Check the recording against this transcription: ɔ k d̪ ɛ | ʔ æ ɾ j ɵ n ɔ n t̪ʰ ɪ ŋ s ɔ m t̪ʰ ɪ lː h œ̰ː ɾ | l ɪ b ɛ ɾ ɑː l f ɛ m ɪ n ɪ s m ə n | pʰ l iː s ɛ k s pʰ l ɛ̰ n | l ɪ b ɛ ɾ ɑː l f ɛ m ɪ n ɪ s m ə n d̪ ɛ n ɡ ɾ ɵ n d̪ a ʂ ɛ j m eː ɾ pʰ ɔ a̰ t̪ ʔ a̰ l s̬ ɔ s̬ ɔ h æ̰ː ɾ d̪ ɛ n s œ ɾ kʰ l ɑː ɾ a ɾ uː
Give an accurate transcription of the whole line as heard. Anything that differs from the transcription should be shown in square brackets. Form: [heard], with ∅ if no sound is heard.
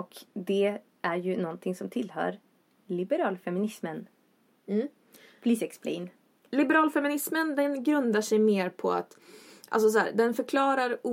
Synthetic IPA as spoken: ɔ k d̪ ɛ | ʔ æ ɾ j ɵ n ɔ n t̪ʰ ɪ ŋ s ɔ m t̪ʰ ɪ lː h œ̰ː ɾ | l ɪ b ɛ ɾ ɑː l f ɛ m ɪ n ɪ s m ə n | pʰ l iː s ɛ k s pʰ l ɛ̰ n | l ɪ b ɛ ɾ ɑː l f ɛ m ɪ n ɪ s m ə n d̪ ɛ n ɡ ɾ ɵ n d̪ a ʂ ɛ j m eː ɾ pʰ ɔ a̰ t̪ ʔ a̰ l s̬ ɔ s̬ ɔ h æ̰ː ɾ d̪ ɛ n [f] œ ɾ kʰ l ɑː ɾ a ɾ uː